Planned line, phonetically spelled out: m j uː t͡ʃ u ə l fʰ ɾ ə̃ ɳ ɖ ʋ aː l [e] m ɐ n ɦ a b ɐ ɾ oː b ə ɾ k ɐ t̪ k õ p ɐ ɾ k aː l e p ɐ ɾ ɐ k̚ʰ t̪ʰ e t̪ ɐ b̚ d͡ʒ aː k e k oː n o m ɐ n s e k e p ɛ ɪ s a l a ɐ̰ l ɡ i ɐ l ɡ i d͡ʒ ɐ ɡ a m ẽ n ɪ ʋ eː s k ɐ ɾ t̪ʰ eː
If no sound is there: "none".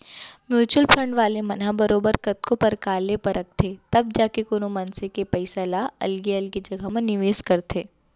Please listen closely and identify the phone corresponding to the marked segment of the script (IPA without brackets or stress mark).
e